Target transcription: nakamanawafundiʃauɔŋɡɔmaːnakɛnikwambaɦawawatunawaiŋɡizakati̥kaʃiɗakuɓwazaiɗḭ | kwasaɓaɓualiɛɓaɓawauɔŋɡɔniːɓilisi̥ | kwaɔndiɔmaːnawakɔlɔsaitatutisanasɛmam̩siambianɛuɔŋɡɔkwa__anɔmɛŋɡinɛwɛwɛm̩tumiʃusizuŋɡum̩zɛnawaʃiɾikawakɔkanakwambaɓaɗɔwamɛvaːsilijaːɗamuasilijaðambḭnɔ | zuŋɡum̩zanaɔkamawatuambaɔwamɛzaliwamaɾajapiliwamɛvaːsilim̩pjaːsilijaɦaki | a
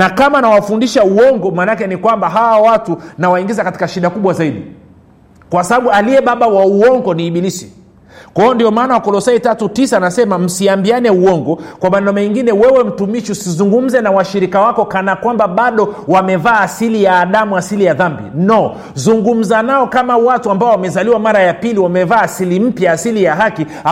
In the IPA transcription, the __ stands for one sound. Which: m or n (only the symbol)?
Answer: m